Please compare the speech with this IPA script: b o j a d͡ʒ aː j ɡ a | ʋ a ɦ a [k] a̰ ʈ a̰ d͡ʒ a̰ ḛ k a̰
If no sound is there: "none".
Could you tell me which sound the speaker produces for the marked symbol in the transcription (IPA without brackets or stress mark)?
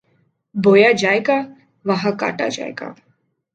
k